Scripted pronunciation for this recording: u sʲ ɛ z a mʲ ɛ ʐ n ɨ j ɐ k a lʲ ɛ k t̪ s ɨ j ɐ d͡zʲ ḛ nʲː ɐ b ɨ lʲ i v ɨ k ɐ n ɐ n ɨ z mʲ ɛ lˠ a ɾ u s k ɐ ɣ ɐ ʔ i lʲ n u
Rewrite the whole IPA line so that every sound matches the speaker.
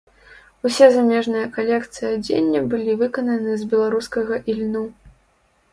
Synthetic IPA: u sʲ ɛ z a mʲ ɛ ʐ n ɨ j ɐ k a lʲ ɛ k t̪ s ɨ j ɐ d͡zʲ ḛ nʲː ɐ b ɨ lʲ i v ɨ k ɐ n ɐ n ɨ z bʲ ɛ lˠ a ɾ u s k ɐ ɣ ɐ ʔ i lʲ n u